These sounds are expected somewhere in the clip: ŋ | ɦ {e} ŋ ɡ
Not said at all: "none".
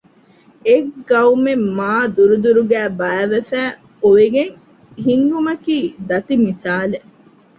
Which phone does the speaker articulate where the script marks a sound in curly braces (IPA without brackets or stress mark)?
i